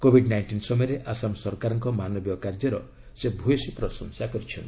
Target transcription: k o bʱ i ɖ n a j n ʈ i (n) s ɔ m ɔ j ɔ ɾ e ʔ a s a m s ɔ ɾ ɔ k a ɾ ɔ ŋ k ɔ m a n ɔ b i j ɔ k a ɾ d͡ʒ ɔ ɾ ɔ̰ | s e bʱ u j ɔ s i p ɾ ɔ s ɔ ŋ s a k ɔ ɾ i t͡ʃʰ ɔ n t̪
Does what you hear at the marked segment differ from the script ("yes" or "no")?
no